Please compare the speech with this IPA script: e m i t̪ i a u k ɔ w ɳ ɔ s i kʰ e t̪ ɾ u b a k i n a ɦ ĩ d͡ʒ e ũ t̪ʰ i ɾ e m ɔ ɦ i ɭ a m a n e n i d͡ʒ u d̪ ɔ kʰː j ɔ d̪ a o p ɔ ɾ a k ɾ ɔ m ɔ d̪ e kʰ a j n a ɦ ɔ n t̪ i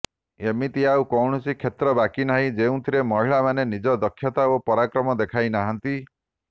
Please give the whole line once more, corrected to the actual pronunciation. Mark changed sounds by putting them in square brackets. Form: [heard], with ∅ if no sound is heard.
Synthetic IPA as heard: e m i t̪ i a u k ɔ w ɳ ɔ s i kʰ e t̪ ɾ [ɔ] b a k i n a ɦ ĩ d͡ʒ e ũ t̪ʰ i ɾ e m ɔ ɦ i ɭ a m a n e n i d͡ʒ [ɔ] d̪ ɔ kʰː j ɔ [t̪] a o p ɔ ɾ a k ɾ ɔ m ɔ d̪ e kʰ a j n a ɦ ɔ n t̪ i

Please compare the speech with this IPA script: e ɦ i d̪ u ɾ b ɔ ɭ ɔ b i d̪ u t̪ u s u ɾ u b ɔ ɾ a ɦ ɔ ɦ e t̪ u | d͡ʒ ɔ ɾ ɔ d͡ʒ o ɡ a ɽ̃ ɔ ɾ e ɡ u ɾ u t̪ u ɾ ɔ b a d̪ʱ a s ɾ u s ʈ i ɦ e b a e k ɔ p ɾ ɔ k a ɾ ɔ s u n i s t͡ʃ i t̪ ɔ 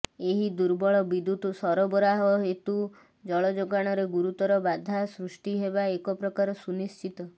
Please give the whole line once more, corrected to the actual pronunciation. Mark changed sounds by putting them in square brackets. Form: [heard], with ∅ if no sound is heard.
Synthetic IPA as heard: e ɦ i d̪ u ɾ b ɔ ɭ ɔ b i d̪ u t̪ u s [ɔ] ɾ [ɔ] b ɔ ɾ a ɦ ɔ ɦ e t̪ u | d͡ʒ ɔ [ɭ] ɔ d͡ʒ o ɡ a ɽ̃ ɔ ɾ e ɡ u ɾ u t̪ [ɔ] ɾ ɔ b a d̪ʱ a s ɾ u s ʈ i ɦ e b a e k ɔ p ɾ ɔ k a ɾ ɔ s u n i s t͡ʃ i t̪ ɔ

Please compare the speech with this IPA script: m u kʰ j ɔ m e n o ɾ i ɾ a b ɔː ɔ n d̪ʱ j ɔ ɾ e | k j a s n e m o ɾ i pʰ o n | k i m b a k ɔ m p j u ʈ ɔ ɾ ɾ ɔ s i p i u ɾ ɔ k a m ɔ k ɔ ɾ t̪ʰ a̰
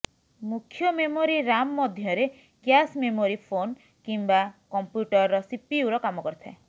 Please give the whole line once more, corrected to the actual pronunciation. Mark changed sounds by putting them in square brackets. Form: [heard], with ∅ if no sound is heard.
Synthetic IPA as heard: m u kʰ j ɔ m e [m] o ɾ i ɾ a [m] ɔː ɔ [∅] d̪ʱ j ɔ ɾ e | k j a s [m] e m o ɾ i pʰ o n | k i m b a k ɔ m p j u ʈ ɔ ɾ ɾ ɔ s i p i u ɾ ɔ k a m ɔ k ɔ ɾ t̪ʰ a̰

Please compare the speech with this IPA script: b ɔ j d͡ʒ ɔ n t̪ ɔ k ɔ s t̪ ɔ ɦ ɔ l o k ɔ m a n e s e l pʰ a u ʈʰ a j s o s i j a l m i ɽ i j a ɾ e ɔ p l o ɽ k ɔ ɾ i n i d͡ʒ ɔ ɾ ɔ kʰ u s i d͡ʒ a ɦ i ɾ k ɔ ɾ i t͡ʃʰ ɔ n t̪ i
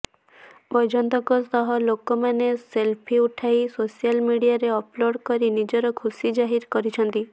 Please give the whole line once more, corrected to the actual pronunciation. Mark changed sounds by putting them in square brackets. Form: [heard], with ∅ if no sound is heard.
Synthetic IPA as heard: b ɔ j d͡ʒ ɔ n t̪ ɔ k ɔ s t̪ ɔ ɦ ɔ l o k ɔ m a n e s e l pʰ [i] u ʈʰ a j s o s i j a l m i ɽ i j a ɾ e ɔ p l o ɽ k ɔ ɾ i n i d͡ʒ ɔ ɾ ɔ kʰ u s i d͡ʒ a ɦ i ɾ k ɔ ɾ i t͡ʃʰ ɔ n t̪ i

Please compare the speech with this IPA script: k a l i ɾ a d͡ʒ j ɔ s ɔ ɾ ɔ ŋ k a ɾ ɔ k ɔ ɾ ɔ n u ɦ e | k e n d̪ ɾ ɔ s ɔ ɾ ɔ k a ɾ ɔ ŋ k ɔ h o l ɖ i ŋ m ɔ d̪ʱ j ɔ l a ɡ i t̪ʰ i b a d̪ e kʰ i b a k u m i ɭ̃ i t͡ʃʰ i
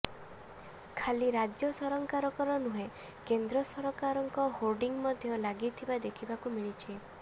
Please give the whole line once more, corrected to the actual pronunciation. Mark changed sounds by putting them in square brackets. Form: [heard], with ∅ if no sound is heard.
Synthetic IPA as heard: [kʰ] a l i ɾ a d͡ʒ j ɔ s ɔ ɾ ɔ ŋ k a ɾ ɔ k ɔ ɾ ɔ n u ɦ e | k e n d̪ ɾ ɔ s ɔ ɾ ɔ k a ɾ ɔ ŋ k ɔ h o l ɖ i ŋ m ɔ d̪ʱ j ɔ l a ɡ i t̪ʰ i b a d̪ e kʰ i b a k u m i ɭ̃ i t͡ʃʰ i

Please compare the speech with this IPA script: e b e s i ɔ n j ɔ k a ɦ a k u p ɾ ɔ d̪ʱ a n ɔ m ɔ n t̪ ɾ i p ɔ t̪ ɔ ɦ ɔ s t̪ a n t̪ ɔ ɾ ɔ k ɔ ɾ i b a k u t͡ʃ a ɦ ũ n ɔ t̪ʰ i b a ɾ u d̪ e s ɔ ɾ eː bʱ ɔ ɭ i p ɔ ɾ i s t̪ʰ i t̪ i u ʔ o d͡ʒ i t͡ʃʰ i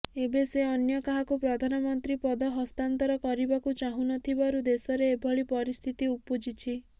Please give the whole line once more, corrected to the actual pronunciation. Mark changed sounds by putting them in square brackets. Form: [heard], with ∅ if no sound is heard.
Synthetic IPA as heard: e b e s [e] ɔ n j ɔ k a ɦ a k u p ɾ ɔ d̪ʱ a n ɔ m ɔ n t̪ ɾ i p ɔ [d̪] ɔ ɦ ɔ s t̪ a n t̪ ɔ ɾ ɔ k ɔ ɾ i b a k u t͡ʃ a ɦ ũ n ɔ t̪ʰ i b a ɾ u d̪ e s ɔ ɾ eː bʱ ɔ ɭ i p ɔ ɾ i s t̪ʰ i t̪ i u [p] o d͡ʒ i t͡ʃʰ i

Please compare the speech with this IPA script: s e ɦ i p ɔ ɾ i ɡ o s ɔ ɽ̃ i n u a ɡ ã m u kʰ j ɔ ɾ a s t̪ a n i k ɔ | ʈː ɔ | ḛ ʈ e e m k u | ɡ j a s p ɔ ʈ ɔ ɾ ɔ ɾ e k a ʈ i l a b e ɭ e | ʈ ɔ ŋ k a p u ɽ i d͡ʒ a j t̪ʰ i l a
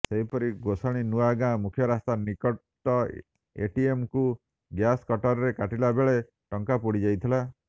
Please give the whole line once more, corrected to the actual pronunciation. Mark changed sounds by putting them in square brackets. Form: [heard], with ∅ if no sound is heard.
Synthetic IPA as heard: s e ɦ i p ɔ ɾ i ɡ o s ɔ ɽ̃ i n u a ɡ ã m u kʰ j ɔ ɾ a s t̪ a n i k ɔ | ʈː ɔ | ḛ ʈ [i] e m k u | ɡ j a s [k] ɔ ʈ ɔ ɾ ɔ ɾ e k a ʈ i l a b e ɭ e | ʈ ɔ ŋ k a p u ɽ i d͡ʒ a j t̪ʰ i l a

